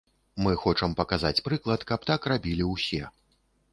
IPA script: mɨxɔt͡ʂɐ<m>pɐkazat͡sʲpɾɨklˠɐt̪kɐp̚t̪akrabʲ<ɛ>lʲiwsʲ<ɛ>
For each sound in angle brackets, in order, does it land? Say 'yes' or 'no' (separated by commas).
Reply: yes, no, yes